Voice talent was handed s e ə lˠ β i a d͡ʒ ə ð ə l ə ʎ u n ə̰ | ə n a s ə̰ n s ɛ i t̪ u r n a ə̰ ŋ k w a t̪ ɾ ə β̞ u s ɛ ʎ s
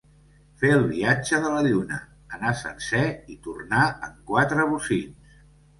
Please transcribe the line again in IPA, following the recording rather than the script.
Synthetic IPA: f e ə lˠ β i a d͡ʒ ə ð ə l ə ʎ u n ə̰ | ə n a s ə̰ n s ɛ i t̪ u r n a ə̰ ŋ k w a t̪ ɾ ə β̞ u s i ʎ s